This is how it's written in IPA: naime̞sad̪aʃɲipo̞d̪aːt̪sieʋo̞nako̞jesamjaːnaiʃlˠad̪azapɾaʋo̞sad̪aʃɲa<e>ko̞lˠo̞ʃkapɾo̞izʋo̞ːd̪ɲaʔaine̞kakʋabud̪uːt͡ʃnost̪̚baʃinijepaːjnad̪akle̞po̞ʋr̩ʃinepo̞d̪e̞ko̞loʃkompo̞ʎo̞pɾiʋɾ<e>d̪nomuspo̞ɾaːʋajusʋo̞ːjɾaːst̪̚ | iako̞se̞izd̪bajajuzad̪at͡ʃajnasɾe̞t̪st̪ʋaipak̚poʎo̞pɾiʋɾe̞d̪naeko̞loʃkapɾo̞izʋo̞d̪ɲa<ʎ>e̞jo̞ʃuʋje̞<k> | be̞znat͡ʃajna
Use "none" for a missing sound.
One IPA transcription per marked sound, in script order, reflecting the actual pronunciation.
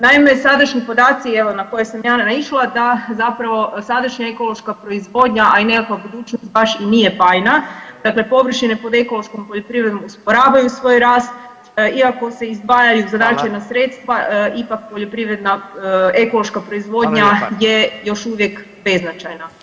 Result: e, e, j, k

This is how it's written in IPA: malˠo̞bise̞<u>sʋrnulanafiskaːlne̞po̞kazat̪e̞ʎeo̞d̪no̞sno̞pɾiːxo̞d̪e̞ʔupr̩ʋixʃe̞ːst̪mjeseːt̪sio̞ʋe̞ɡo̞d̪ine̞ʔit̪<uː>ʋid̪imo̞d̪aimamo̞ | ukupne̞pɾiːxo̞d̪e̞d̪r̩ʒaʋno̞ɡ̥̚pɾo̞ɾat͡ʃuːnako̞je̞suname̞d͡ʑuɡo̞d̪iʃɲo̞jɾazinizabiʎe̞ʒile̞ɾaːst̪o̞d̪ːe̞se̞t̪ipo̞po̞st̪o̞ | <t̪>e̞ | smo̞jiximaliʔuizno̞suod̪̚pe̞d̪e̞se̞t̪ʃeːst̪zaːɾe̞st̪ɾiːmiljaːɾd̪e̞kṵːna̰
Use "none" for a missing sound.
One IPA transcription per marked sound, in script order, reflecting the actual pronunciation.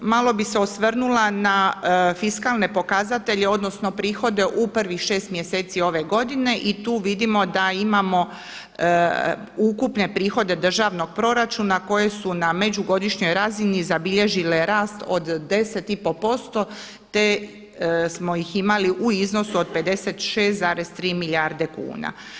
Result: o, uː, t̪

